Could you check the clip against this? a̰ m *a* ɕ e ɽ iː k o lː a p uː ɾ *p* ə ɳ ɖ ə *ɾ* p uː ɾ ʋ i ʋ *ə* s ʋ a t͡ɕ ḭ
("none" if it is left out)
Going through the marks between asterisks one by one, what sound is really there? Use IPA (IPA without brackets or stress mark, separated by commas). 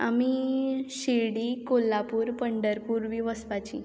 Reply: i, p, ɾ, ə